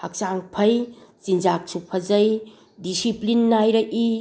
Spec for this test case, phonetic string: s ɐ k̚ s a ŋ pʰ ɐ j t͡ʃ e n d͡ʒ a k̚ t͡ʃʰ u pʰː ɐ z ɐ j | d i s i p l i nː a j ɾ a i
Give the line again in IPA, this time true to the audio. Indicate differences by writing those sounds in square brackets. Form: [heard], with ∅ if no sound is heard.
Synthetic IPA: [h] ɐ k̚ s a ŋ pʰ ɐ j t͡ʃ [i] n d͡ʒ a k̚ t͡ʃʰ u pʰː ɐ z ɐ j | d i s i p l i nː a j ɾ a i